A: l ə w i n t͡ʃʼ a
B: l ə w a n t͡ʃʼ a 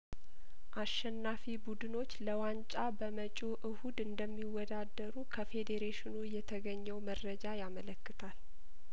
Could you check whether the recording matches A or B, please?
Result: B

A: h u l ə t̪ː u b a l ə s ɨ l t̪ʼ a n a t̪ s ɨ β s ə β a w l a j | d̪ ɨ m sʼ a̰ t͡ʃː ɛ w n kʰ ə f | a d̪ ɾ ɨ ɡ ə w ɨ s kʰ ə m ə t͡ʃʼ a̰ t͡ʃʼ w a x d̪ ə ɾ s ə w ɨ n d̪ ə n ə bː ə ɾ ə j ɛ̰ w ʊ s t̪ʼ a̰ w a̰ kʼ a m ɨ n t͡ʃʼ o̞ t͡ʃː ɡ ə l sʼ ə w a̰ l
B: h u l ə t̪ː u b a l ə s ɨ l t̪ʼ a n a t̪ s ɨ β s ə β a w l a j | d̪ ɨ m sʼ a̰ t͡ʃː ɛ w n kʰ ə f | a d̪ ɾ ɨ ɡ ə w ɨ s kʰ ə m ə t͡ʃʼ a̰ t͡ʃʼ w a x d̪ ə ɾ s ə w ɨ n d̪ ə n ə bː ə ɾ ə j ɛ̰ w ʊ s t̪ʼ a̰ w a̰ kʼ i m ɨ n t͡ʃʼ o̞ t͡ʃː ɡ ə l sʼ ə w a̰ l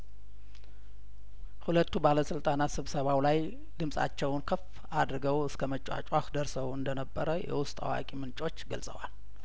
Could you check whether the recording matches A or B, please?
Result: B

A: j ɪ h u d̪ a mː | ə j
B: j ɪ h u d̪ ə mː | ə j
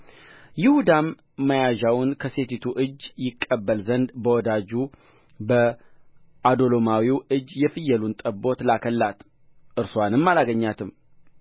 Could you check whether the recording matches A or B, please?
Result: A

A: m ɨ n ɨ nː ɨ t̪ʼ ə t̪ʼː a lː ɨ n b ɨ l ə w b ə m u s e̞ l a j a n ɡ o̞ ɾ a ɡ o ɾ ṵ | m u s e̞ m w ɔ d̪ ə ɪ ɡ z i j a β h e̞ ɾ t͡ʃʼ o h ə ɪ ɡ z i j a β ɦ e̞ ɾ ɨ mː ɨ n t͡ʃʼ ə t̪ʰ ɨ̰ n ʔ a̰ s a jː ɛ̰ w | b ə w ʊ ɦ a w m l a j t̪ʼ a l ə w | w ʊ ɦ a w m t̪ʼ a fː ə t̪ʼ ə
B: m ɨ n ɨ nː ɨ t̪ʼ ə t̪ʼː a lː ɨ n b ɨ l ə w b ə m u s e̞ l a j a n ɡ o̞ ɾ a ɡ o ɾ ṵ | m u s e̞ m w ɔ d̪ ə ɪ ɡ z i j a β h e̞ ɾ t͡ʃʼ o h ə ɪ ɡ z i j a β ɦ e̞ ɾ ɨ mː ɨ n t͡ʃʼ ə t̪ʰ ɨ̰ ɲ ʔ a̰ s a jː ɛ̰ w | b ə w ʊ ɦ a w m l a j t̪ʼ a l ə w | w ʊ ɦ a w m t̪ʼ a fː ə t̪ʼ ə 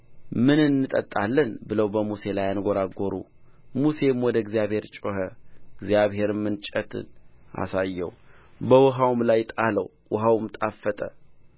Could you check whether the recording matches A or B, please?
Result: A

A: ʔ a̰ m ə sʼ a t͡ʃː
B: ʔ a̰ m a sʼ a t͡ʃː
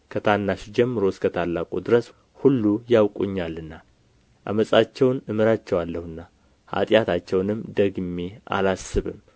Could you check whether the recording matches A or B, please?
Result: A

